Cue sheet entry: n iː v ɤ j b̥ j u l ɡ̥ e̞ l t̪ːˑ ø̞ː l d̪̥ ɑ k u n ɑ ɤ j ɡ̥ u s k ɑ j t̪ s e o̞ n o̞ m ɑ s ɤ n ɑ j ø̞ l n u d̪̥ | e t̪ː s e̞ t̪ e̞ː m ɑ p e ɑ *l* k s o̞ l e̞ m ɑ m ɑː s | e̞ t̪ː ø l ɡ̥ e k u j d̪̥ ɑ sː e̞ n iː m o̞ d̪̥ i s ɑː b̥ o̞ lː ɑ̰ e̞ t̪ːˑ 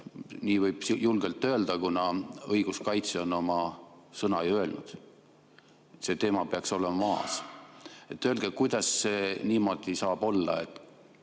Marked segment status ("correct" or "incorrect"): incorrect